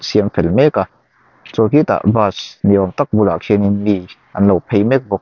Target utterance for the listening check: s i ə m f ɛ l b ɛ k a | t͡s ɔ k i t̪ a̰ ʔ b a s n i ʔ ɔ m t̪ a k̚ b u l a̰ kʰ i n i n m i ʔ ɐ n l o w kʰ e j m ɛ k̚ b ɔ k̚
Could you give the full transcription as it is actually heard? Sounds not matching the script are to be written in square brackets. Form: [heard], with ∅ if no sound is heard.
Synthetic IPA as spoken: s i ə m f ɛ l [m] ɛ k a | t͡s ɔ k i t̪ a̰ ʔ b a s n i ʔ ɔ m t̪ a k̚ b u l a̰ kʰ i n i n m i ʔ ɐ n l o w [pʰ] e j m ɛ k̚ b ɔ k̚